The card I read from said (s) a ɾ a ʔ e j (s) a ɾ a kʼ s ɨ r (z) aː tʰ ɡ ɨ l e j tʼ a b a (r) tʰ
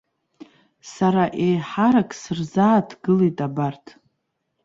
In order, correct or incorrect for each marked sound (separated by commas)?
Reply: correct, incorrect, correct, correct